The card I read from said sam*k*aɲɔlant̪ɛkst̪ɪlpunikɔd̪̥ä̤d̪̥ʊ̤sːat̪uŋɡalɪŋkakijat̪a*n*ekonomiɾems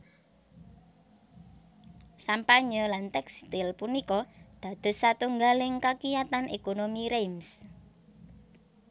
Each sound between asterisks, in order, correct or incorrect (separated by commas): incorrect, correct